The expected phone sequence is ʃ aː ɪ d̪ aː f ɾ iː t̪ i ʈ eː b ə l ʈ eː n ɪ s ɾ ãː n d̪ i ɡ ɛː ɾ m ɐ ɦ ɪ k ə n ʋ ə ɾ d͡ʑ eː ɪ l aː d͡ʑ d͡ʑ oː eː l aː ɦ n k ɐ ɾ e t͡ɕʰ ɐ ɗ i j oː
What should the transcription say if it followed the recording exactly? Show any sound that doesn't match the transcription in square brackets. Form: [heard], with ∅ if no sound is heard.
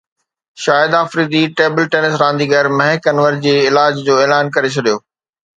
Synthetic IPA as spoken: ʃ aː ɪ d̪ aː f ɾ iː [d̪] i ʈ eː b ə l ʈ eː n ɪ s ɾ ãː n d̪ i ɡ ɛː ɾ m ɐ ɦ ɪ k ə n ʋ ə ɾ d͡ʑ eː ɪ l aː d͡ʑ d͡ʑ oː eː l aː [∅] n k ɐ ɾ e t͡ɕʰ ɐ ɗ i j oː